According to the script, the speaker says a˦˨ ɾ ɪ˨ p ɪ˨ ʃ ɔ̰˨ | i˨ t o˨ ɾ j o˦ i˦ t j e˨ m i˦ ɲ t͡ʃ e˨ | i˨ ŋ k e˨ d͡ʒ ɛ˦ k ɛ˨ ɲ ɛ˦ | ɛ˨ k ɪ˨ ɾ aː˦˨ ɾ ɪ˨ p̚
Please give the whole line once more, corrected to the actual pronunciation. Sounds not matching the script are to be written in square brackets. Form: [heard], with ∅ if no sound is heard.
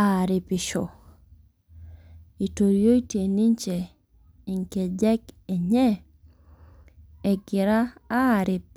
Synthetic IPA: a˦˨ ɾ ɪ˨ p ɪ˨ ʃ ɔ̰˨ | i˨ t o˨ ɾ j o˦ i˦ t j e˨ [n] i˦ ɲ t͡ʃ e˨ | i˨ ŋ k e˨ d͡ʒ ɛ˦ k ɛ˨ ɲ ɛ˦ | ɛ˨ [ɡ] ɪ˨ ɾ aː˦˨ ɾ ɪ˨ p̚

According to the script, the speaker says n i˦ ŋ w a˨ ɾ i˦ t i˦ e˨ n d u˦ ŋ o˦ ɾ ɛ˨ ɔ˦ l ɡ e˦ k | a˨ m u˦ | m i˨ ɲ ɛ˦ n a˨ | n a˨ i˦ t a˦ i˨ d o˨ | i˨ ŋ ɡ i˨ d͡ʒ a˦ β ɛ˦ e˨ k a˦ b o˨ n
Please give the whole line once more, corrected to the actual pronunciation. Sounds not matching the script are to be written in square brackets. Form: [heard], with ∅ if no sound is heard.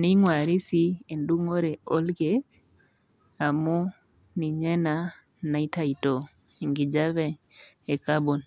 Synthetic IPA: n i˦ ŋ w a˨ ɾ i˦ [s] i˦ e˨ n d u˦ ŋ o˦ ɾ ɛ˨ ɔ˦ l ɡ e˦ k | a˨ m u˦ | [n] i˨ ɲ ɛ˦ n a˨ | n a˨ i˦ t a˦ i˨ [t] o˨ | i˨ ŋ ɡ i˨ d͡ʒ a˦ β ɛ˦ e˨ k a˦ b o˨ n

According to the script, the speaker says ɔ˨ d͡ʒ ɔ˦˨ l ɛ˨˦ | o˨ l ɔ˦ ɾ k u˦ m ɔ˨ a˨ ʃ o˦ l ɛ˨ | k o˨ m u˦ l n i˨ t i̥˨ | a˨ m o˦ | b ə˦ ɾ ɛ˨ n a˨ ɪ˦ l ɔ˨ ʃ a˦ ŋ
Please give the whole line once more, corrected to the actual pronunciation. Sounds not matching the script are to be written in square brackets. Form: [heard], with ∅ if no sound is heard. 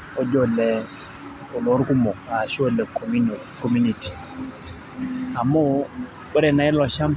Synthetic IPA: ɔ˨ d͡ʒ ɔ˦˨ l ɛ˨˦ | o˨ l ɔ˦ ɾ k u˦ m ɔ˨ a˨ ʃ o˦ l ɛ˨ | k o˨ m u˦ [∅] n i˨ t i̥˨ | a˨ m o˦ | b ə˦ ɾ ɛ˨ n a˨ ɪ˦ l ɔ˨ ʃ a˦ [m]

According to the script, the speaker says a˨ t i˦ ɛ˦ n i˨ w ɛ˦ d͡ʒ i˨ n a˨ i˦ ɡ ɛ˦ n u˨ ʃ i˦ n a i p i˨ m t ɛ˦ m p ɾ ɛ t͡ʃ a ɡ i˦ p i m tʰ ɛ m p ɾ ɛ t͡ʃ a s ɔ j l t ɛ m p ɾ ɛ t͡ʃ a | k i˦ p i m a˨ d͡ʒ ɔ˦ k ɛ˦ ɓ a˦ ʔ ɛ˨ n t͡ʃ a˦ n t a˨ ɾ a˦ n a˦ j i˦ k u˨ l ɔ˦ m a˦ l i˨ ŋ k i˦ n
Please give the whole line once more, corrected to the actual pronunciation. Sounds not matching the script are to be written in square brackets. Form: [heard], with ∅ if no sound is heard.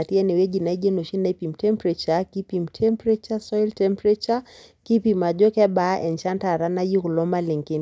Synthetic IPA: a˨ t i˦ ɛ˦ n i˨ w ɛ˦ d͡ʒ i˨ n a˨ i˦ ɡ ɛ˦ n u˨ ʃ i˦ n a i p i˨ m t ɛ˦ m p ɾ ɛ t͡ʃ a [k] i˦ p i m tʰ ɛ m p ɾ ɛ t͡ʃ a s ɔ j l t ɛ m p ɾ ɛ t͡ʃ a | k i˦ p i m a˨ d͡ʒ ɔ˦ k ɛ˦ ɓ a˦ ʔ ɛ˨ n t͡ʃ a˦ n t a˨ ɾ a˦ n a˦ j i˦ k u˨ l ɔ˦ m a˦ l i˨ ŋ k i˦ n

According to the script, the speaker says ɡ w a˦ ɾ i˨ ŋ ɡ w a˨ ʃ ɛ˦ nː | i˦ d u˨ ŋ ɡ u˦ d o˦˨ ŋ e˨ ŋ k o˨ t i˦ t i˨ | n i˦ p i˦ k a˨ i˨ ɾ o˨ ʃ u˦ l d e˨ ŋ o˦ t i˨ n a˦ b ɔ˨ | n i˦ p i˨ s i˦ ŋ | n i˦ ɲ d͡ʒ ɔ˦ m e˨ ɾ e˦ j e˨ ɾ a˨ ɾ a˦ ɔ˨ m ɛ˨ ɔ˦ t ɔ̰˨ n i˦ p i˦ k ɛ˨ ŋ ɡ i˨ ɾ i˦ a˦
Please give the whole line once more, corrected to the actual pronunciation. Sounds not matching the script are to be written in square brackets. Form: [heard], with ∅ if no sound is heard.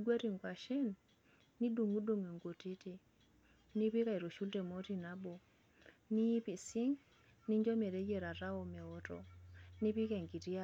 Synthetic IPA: ɡ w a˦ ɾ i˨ ŋ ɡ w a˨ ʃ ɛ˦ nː | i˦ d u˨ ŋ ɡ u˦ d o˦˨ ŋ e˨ ŋ [ɡ] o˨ t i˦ t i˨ | n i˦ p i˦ k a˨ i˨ ɾ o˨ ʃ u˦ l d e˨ [m] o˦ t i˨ n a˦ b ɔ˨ | n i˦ p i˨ s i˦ ŋ | n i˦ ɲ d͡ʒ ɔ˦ m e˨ ɾ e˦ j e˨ ɾ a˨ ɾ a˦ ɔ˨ m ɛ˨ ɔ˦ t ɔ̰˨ n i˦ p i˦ k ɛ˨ ŋ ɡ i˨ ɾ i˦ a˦

